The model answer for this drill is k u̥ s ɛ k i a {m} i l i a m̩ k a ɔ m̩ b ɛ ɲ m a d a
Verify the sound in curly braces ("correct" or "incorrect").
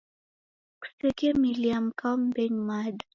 correct